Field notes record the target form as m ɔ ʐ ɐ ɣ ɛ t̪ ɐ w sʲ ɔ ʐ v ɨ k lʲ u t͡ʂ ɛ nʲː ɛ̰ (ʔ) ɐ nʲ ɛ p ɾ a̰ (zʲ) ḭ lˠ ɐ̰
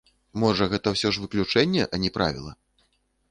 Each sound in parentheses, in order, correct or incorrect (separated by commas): correct, incorrect